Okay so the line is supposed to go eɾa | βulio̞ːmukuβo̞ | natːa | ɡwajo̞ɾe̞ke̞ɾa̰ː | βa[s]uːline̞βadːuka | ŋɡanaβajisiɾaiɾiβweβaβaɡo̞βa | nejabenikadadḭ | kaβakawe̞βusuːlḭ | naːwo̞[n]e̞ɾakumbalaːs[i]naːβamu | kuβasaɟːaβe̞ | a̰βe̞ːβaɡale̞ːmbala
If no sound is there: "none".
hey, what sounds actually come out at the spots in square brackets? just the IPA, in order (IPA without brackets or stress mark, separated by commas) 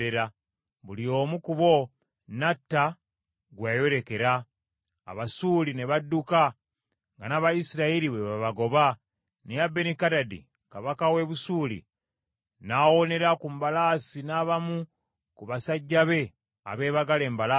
s, n, i